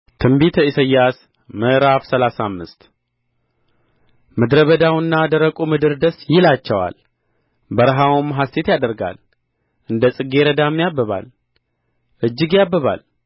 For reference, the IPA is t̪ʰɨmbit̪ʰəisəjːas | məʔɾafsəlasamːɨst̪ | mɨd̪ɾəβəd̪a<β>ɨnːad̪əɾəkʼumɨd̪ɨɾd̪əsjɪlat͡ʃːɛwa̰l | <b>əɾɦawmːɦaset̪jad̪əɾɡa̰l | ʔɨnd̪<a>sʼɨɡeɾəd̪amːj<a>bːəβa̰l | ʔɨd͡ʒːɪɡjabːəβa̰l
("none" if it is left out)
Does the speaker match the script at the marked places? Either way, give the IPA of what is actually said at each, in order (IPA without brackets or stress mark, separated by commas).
w, b, ə, a